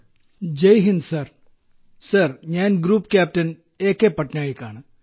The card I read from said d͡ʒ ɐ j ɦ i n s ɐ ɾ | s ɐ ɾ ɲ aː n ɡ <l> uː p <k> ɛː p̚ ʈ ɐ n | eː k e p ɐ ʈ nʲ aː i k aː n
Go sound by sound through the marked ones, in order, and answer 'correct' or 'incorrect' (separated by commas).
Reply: incorrect, correct